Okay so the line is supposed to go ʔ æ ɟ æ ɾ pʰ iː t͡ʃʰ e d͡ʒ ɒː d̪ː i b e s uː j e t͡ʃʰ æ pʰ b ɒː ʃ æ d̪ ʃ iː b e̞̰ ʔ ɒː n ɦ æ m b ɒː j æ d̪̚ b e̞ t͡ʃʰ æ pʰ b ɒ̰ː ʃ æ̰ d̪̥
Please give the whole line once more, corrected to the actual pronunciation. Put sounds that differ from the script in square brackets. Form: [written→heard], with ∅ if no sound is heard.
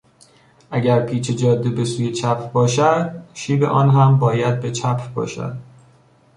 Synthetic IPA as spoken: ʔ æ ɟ æ ɾ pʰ iː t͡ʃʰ e d͡ʒ ɒː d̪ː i b e s uː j e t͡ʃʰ æ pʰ b ɒː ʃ æ d̪ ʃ iː b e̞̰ ʔ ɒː n ɦ æ m b ɒː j æ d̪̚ b e̞ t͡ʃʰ æ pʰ b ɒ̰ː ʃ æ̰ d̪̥